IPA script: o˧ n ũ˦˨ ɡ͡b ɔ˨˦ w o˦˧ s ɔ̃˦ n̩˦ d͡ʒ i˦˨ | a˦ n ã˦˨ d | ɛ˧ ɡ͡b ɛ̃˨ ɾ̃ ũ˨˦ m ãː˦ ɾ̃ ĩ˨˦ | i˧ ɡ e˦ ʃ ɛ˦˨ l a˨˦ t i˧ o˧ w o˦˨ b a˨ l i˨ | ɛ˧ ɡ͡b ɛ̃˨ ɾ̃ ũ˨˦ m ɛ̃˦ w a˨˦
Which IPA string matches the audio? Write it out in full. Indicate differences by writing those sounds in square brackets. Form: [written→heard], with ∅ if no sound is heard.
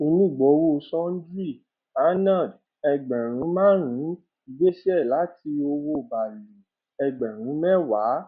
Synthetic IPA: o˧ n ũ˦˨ ɡ͡b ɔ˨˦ w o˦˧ s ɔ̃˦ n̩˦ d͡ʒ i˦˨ | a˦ n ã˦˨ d | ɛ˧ ɡ͡b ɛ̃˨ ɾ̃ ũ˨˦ m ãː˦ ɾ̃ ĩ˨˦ | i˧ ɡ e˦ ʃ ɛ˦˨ l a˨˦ t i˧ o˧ w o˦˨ b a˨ l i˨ | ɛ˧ ɡ͡b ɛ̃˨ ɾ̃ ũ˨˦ m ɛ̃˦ w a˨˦